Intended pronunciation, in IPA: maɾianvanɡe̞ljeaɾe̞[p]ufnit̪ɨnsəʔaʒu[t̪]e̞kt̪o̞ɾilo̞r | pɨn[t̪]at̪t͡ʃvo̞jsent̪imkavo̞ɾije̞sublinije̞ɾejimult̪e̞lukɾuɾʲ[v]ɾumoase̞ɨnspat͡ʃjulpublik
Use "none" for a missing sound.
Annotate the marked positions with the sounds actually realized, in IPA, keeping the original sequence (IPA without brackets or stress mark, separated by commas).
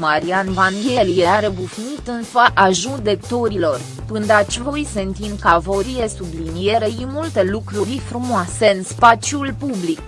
b, d̪, d̪, f